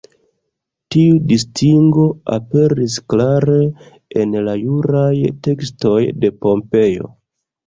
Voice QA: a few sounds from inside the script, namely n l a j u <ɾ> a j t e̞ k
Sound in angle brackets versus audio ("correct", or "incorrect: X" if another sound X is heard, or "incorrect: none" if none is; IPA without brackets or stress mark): correct